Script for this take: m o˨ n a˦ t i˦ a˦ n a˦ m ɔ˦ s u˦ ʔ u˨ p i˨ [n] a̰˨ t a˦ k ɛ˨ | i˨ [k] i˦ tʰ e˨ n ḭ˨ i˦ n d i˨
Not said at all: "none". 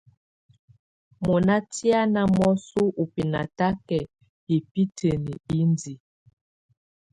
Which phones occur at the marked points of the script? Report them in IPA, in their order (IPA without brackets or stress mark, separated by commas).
n, p